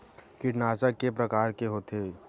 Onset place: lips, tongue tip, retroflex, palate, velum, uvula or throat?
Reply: velum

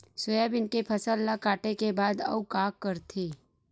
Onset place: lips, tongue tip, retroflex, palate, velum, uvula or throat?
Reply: tongue tip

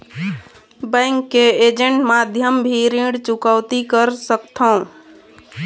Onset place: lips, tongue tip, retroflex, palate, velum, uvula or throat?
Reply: lips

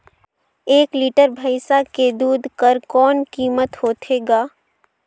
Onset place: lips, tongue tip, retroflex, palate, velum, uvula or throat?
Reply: velum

